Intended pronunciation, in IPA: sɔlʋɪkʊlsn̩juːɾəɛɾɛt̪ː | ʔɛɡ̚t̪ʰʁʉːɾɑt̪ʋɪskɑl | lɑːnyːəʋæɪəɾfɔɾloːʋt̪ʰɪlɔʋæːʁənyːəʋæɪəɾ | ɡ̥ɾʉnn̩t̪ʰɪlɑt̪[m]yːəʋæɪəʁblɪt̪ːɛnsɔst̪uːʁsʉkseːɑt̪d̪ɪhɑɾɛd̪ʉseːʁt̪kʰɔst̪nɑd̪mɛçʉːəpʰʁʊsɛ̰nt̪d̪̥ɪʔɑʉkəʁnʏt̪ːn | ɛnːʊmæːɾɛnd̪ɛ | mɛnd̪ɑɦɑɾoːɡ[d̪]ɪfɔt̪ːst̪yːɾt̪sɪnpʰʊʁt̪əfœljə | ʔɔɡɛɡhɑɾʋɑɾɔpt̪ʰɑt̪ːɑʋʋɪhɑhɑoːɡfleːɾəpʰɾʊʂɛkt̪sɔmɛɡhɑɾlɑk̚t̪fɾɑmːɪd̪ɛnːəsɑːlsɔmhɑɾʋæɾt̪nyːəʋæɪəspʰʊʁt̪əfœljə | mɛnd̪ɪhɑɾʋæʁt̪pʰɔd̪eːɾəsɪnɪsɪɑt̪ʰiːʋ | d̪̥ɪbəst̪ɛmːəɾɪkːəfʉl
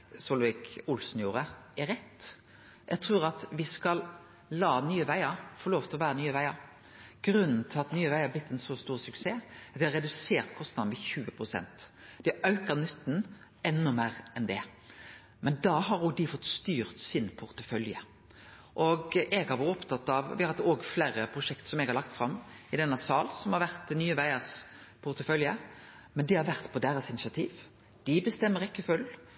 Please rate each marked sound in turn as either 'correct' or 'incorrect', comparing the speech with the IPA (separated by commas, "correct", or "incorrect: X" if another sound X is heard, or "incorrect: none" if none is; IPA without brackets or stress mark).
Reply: incorrect: n, correct